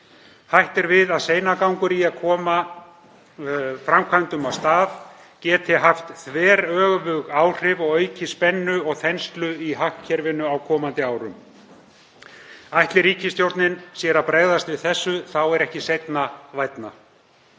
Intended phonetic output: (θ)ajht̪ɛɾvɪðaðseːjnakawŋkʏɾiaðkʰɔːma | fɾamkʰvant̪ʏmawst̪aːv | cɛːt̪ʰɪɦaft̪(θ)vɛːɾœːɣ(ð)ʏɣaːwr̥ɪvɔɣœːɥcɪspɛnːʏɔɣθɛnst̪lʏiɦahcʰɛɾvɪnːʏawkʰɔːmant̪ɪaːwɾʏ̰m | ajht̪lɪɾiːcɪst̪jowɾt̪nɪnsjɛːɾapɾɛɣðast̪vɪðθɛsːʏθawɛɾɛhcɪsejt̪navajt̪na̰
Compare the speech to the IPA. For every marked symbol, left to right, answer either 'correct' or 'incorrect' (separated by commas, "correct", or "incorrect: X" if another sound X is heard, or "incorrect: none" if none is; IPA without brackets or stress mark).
incorrect: h, correct, incorrect: v